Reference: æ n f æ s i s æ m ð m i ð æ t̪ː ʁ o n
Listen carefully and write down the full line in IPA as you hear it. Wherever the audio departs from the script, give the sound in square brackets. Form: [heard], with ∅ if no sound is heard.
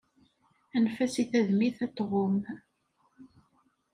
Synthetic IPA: æ n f æ s i [θ] æ [∅] ð m i [θ] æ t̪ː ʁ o [m]